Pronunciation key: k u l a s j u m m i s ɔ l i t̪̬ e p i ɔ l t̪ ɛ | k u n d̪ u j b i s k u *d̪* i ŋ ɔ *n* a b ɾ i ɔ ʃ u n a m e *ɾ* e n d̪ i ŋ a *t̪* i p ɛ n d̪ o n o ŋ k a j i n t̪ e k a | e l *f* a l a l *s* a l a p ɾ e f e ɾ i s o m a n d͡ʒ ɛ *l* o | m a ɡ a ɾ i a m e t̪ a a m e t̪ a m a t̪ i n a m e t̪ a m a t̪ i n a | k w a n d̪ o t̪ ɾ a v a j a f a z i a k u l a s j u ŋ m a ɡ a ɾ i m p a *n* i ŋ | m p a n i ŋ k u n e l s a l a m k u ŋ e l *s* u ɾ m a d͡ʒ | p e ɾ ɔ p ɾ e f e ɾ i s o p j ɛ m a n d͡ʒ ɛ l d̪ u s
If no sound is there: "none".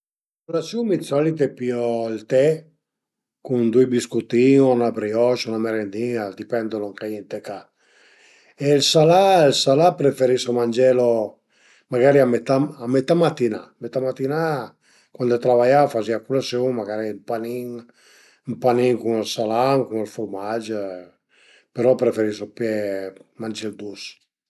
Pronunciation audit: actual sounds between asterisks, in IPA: t̪, n, ɾ, d̪, s, s, l, n, f

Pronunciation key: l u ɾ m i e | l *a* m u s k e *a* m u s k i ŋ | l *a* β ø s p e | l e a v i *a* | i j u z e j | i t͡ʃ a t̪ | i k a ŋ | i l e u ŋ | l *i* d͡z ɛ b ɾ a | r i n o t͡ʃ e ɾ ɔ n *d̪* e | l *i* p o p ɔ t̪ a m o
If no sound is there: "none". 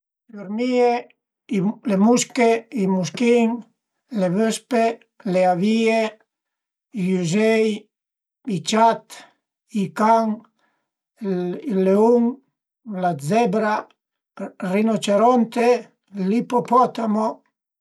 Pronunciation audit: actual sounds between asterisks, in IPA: e, i, e, e, a, t̪, i

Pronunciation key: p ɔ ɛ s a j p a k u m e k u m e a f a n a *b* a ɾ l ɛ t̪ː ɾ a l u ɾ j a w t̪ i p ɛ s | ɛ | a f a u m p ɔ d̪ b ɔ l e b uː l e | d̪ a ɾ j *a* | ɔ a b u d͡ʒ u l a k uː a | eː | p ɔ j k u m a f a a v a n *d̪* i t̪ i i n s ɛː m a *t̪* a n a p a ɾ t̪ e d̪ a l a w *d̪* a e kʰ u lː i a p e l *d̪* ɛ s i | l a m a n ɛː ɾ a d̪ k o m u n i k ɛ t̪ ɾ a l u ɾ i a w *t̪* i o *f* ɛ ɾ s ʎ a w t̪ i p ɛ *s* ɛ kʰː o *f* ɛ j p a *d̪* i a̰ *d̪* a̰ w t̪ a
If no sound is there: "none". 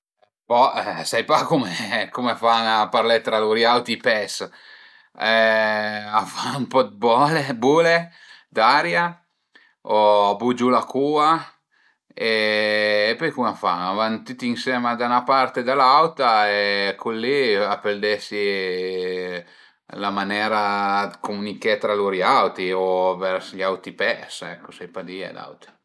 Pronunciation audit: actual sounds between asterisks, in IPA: p, a, t̪, d̪, t̪, d̪, t̪, v, s, s, d̪, d̪

